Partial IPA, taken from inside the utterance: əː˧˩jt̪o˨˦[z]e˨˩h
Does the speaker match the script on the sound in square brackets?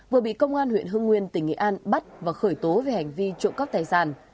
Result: no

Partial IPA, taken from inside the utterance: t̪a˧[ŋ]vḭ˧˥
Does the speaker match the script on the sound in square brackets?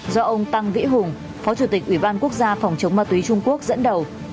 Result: yes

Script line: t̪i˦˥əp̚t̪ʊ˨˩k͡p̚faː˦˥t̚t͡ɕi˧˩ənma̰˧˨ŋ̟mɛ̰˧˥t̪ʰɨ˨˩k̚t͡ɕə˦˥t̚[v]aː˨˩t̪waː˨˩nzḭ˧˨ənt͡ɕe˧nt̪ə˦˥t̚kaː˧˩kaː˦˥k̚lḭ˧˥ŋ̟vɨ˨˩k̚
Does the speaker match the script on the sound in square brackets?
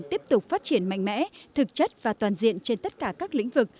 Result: yes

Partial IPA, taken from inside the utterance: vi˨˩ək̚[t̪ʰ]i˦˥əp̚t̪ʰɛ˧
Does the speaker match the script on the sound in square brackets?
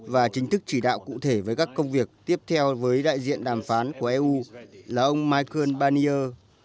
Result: no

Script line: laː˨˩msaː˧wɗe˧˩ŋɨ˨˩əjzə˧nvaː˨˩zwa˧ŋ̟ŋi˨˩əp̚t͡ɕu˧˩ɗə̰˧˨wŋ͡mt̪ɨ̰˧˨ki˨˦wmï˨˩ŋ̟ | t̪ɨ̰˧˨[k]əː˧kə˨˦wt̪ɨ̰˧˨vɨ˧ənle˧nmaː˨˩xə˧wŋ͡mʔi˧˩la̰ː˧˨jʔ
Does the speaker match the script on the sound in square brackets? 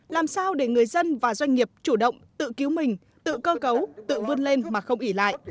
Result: yes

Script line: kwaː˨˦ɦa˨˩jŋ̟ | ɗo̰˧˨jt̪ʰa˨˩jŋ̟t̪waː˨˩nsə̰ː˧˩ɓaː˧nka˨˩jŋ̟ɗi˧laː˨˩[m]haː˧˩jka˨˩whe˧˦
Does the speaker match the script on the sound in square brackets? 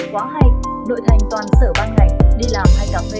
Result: yes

